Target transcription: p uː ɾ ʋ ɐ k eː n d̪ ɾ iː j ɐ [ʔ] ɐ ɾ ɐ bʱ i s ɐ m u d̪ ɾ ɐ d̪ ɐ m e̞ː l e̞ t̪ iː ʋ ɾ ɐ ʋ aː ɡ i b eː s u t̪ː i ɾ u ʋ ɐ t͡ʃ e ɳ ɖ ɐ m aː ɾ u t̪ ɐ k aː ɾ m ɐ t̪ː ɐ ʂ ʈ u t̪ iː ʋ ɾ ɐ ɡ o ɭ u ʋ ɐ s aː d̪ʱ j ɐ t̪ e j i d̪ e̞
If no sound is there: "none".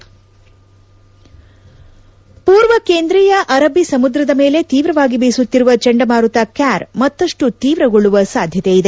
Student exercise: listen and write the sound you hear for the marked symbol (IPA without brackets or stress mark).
ʔ